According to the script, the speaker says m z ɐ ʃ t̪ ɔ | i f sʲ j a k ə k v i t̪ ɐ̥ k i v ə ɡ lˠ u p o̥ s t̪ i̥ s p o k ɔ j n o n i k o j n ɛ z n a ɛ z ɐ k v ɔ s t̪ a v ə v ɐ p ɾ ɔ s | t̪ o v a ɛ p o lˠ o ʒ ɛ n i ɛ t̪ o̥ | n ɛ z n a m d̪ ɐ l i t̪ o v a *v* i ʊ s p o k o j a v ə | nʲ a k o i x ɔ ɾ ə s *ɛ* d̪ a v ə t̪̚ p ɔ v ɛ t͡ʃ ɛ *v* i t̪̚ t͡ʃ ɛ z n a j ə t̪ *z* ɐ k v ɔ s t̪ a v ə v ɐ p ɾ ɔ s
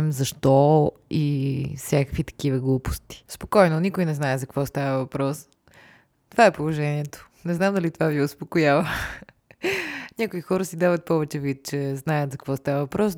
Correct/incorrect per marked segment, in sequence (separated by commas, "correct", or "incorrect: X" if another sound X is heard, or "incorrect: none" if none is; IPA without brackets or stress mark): correct, incorrect: i, correct, correct